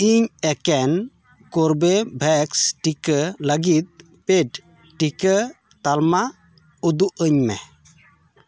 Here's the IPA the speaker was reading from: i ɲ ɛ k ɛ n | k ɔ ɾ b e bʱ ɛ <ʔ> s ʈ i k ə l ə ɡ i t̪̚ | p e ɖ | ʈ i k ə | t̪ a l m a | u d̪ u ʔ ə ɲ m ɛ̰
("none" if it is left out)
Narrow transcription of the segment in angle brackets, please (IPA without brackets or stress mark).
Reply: k